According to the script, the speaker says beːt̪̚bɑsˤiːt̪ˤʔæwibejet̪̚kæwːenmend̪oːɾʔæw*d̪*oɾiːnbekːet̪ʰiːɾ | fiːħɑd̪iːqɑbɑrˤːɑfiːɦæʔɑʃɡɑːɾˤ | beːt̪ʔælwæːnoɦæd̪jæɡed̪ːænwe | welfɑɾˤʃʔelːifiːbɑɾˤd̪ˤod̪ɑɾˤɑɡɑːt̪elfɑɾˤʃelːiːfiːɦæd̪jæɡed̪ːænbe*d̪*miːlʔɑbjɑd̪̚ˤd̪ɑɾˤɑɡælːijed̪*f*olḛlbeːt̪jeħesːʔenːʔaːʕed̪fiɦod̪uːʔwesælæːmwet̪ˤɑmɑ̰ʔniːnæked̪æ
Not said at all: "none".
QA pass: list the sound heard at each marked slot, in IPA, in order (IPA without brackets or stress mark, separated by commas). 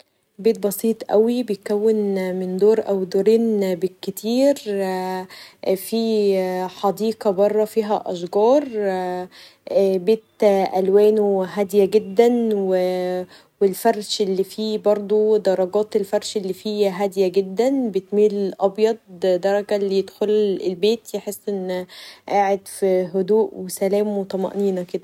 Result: d̪, t̪, x